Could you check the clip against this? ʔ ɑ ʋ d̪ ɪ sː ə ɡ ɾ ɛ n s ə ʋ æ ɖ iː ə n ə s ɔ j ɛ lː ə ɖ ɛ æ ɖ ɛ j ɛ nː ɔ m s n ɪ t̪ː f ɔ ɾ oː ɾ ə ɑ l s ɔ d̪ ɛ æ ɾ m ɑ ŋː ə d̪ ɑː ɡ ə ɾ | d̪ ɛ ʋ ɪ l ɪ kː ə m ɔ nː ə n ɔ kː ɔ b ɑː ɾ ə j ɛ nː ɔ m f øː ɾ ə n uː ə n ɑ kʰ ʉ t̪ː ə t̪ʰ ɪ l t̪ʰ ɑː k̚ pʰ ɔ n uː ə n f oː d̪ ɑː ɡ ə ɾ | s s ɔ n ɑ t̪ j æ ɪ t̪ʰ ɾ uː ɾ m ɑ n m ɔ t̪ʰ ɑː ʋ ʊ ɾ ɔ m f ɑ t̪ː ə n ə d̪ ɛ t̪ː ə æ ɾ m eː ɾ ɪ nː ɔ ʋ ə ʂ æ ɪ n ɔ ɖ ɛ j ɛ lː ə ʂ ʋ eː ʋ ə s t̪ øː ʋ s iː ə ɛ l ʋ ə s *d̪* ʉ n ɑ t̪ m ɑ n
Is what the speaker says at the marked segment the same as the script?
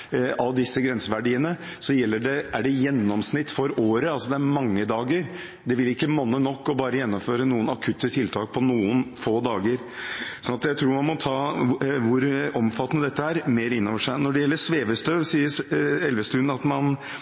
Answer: no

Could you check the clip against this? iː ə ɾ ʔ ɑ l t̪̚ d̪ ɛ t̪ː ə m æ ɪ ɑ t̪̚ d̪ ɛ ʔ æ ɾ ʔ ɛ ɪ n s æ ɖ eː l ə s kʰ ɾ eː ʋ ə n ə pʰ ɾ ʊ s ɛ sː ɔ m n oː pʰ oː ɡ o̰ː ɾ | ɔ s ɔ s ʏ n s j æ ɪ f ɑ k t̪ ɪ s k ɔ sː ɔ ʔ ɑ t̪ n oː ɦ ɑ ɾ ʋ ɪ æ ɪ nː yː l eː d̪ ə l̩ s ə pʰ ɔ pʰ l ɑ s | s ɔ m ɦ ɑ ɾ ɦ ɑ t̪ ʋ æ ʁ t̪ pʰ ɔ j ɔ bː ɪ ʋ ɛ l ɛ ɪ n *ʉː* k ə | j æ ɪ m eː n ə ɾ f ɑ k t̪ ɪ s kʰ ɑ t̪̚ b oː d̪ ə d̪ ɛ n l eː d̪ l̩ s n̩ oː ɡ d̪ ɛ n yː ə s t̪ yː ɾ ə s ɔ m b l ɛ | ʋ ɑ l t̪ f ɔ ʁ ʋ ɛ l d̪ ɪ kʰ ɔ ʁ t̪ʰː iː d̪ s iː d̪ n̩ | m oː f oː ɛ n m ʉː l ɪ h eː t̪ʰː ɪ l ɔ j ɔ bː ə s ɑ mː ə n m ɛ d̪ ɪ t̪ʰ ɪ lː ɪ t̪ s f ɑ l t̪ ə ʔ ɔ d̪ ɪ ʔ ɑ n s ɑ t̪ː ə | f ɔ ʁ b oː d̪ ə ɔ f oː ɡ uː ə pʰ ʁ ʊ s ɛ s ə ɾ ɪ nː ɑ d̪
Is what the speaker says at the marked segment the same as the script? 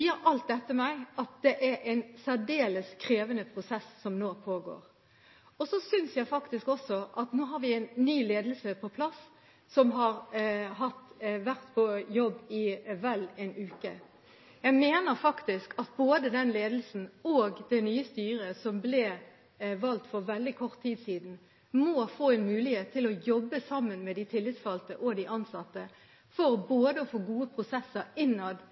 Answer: yes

